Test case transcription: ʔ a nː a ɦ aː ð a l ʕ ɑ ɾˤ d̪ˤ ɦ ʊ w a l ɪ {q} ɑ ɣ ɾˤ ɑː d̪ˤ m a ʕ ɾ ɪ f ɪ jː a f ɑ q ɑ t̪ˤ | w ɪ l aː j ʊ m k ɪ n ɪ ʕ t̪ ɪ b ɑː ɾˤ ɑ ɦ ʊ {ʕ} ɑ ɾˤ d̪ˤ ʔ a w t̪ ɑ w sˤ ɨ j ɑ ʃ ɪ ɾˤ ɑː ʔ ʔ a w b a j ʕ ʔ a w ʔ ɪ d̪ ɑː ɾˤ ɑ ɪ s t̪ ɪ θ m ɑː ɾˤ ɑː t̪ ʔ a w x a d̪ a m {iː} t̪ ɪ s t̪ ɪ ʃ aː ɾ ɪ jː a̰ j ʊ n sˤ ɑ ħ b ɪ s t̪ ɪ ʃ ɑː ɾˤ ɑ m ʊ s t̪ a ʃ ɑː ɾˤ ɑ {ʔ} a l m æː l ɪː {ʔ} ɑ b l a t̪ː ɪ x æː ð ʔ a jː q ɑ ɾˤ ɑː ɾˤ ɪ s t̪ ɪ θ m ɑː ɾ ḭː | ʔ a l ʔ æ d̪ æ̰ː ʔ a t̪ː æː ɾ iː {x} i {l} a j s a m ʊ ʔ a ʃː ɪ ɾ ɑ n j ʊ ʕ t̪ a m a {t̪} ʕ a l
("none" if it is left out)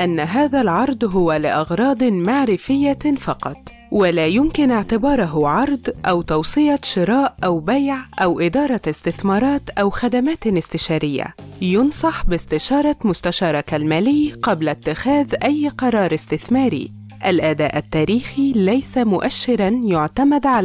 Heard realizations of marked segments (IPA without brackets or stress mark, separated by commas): ʔ, ʕ, aː, k, q, x, l, d̪